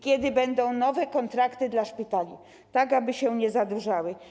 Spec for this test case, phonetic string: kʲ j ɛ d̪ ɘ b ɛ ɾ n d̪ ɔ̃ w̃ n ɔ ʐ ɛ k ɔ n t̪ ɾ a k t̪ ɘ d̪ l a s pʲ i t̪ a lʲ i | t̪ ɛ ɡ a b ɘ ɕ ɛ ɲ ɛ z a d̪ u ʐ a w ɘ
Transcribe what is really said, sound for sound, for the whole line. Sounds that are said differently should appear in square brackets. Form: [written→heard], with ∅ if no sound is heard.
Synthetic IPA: kʲ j ɛ d̪ ɘ b ɛ [ɾ→∅] n d̪ ɔ̃ w̃ n ɔ [ʐ→v] ɛ k ɔ n t̪ ɾ a k t̪ ɘ d̪ l a [s→ʂ] pʲ i t̪ a lʲ i | t̪ [ɛ→a] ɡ a b ɘ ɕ ɛ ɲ ɛ z a d̪ u ʐ a w ɘ